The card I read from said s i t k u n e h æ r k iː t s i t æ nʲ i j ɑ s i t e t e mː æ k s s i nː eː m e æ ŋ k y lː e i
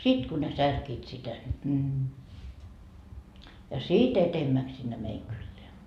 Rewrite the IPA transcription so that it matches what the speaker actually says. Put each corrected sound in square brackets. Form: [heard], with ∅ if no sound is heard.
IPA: s i t k u n e [s] æ r k iː t s i t æ nʲ i j ɑ s i t e t e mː æ k s s i nː [e] m e [i] ŋ k y lː e [æ]